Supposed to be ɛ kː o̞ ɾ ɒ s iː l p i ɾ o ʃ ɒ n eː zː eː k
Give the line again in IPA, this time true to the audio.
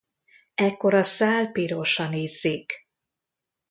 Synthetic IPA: ɛ kː o̞ ɾ ɒ s aː l p i ɾ o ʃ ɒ n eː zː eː k

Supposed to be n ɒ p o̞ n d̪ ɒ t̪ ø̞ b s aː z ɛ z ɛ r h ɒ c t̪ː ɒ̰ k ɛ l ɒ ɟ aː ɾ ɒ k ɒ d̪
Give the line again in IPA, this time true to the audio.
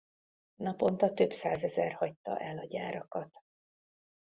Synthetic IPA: n ɒ p o̞ n t̪ ɒ t̪ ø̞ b s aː z ɛ z ɛ r h ɒ c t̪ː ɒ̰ ʔ ɛ l ɒ ɟ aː ɾ ɒ k ɒ t̪

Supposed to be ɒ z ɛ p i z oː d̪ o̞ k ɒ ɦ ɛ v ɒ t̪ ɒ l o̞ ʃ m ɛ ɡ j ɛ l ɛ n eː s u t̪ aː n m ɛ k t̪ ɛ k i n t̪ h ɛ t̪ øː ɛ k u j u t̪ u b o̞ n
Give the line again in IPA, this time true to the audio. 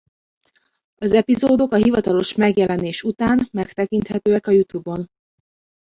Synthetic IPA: ɒ z ɛ p i z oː d̪ o̞ k ɒ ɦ i v ɒ t̪ ɒ l o̞ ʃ m ɛ ɡ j ɛ l ɛ n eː ʃ u t̪ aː n m ɛ k t̪ ɛ k i n t̪ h ɛ t̪ øː ɛ k ɒ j u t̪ u b o̞ n

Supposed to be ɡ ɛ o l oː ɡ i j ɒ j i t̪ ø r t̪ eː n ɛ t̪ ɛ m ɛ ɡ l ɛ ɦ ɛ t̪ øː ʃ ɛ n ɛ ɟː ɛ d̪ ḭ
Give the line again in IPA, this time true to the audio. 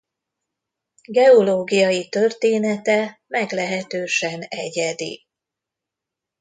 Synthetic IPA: ɡ ɛ o l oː ɡ i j ɒ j i t̪ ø r t̪ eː n ɛ t̪ ɛ m ɛ ɡ l ɛ ɦ ɛ t̪ øː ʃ ɛ n ɛ ɟ ɛ d̪ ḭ

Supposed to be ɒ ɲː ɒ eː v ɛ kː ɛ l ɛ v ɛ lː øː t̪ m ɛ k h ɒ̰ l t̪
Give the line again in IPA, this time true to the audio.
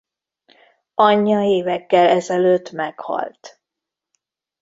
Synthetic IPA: ɒ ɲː ɒ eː v ɛ kː ɛ l ɛ z ɛ l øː t̪ m ɛ k h ɒ̰ l t̪

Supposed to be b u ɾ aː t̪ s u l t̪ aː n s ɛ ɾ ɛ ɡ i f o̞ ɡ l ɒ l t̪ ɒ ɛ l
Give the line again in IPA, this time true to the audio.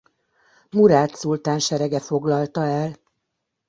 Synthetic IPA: m u ɾ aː t̪ s u l t̪ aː n ʃ ɛ ɾ ɛ ɡ ɛ f o̞ ɡ l ɒ l t̪ ɒ ɛ l

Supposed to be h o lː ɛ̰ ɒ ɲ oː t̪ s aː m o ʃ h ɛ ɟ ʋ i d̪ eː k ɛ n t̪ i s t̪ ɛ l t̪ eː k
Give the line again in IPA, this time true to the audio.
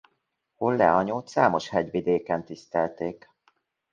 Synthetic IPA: h o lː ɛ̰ ɒ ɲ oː t̪ s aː m o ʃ h ɛ ɟ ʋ i d̪ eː k ɛ n t̪ i s t̪ ɛ l t̪ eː k

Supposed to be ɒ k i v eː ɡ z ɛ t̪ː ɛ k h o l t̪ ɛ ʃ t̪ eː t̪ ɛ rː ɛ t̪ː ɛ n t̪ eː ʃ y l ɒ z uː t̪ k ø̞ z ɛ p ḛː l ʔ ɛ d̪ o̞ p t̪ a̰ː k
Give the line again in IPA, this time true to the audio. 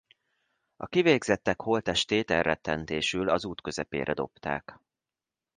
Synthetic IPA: ɒ k i v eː ɡ z ɛ t̪ː ɛ k h o l t̪ ɛ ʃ t̪ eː t̪ ɛ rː ɛ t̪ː ɛ n t̪ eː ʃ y l ɒ z uː t̪ k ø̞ z ɛ p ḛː ɾ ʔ ɛ d̪ o̞ p t̪ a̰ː k

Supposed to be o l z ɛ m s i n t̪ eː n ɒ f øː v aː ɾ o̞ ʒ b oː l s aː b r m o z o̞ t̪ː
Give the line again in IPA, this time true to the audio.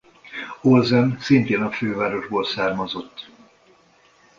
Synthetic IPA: o l z ɛ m s i n t̪ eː n ɒ f øː v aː ɾ o̞ ʒ b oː l s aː r m ɒ z o̞ t̪ː

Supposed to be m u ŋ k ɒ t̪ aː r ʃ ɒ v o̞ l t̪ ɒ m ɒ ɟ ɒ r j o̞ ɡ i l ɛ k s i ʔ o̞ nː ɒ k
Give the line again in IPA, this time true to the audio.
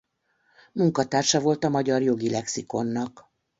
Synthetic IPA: m u ŋ k ɒ t̪ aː r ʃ ɒ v o̞ l t̪ ɒ m ɒ ɟ ɒ r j o̞ ɡ i l ɛ k s i k o̞ nː ɒ k

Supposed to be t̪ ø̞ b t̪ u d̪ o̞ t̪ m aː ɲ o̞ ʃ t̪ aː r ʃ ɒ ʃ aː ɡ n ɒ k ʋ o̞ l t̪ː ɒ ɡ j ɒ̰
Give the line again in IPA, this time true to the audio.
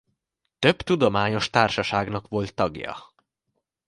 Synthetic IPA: t̪ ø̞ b t̪ u d̪ o̞ m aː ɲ o̞ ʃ t̪ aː r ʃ ɒ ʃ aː ɡ n ɒ k ʋ o̞ l t̪ː ɒ ɡ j ɒ̰

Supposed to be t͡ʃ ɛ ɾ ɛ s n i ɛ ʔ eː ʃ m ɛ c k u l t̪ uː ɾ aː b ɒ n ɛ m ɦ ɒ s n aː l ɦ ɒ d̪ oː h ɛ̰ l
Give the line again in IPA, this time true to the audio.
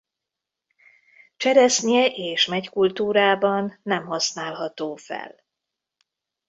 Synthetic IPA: t͡ʃ ɛ ɾ ɛ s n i ɛ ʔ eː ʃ m ɛ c k u l t̪ uː ɾ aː b ɒ nː ɛ m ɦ ɒ s n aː l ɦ ɒ t̪ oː f ɛ̰ l

